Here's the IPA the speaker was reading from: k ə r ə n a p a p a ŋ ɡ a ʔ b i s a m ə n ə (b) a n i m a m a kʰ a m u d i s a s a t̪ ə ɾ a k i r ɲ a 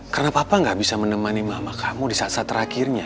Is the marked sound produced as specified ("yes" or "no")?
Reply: no